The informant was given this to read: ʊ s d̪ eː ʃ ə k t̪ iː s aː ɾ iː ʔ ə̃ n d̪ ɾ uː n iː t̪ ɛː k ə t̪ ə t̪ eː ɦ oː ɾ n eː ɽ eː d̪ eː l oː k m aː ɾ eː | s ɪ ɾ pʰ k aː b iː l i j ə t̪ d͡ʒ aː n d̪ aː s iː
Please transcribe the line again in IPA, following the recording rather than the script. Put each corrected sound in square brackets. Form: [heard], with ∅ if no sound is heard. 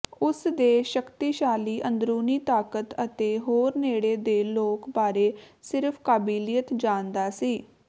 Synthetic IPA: ʊ s d̪ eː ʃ ə k t̪ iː [ʃ] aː [l] iː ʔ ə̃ n d̪ ɾ uː n iː t̪ [aː] k ə t̪ ə t̪ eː ɦ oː ɾ n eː ɽ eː d̪ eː l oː k [b] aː ɾ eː | s ɪ ɾ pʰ k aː b iː l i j ə t̪ d͡ʒ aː n d̪ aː s iː